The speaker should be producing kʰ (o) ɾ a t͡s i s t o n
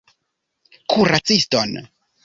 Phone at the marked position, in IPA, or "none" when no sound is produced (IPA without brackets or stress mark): u